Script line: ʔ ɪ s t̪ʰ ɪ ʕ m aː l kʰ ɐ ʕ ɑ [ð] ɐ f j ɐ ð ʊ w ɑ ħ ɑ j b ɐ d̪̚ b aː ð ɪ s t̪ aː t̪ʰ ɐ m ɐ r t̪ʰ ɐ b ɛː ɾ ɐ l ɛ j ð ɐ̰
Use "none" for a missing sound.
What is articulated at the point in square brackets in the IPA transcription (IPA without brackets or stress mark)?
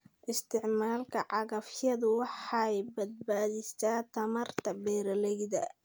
ɣ